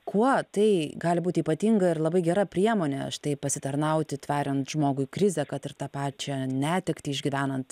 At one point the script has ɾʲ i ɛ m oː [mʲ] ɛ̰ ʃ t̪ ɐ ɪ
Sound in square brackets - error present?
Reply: yes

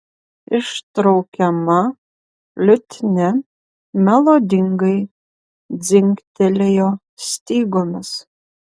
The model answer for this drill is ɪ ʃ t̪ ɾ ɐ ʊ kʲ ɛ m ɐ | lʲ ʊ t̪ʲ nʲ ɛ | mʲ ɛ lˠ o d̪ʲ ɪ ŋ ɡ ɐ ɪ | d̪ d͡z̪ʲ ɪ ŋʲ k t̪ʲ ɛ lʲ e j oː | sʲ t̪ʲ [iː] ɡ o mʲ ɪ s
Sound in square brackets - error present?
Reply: no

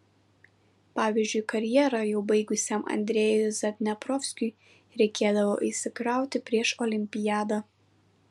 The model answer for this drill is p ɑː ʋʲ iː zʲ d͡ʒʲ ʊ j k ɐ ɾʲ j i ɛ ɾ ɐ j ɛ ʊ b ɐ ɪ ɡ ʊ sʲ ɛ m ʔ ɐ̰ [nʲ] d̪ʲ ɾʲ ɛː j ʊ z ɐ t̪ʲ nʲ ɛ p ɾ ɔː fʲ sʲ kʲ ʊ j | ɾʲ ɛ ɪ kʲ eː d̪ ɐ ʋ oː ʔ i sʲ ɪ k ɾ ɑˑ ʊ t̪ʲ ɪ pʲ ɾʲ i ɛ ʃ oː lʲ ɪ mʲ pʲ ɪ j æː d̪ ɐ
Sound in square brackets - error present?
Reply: no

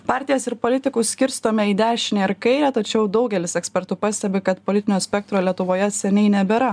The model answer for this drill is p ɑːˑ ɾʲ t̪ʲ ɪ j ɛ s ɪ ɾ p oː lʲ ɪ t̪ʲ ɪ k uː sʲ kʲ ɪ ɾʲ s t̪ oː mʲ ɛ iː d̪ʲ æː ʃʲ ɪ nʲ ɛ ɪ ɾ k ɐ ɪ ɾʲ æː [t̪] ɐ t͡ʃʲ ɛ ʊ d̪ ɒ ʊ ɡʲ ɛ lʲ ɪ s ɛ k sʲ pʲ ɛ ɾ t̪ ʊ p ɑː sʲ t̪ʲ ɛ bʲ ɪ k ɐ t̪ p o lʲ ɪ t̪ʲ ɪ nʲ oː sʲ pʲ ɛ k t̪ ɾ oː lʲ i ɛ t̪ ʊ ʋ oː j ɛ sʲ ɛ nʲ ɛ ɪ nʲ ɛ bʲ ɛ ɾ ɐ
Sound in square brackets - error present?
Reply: no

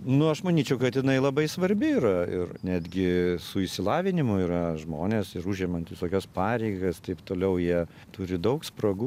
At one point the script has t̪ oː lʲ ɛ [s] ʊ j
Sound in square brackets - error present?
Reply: yes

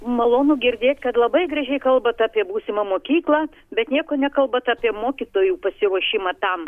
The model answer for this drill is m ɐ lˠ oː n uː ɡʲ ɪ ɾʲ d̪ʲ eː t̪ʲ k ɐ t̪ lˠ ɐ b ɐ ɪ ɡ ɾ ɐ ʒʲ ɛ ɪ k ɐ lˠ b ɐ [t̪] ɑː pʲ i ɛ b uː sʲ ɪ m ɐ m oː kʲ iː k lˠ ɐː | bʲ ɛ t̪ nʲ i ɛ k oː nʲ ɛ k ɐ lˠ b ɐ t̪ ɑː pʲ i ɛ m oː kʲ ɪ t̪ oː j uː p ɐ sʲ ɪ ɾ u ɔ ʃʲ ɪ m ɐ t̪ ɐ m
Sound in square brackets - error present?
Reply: no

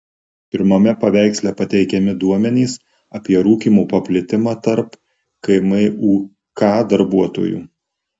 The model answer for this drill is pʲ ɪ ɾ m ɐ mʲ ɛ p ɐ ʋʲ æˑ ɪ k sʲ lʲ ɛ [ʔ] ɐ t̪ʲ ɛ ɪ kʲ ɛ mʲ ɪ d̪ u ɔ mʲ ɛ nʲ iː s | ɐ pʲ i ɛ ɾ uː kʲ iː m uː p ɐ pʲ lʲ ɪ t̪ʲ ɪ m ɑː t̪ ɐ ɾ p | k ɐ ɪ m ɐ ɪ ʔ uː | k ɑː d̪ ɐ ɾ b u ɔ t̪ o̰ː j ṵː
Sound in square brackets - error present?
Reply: yes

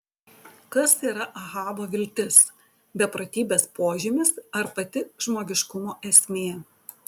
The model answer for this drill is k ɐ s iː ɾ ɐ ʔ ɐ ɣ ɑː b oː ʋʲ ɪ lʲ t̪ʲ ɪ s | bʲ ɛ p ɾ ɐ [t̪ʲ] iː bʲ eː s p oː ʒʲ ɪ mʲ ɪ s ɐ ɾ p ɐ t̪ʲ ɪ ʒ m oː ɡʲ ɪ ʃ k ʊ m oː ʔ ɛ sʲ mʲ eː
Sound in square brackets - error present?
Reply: no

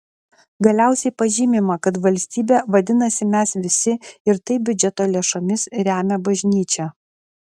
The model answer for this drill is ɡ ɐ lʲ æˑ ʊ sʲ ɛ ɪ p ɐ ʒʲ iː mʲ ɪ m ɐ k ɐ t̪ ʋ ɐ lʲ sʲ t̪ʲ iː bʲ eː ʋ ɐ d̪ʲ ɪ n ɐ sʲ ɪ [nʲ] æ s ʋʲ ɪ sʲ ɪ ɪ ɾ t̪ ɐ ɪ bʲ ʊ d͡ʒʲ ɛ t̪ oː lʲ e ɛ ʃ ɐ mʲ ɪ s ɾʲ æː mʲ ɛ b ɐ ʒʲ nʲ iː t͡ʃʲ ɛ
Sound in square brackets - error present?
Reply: yes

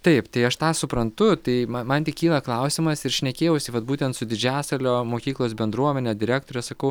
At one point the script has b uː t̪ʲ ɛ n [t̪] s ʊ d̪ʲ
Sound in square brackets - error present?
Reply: no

